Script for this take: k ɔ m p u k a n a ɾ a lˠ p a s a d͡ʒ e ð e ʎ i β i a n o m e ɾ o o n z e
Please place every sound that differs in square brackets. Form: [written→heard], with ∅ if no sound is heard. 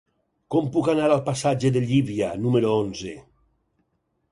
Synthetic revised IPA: k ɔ m p u k a n a ɾ a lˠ p a s a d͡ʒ e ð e ʎ i β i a n [o→u] m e ɾ o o n z e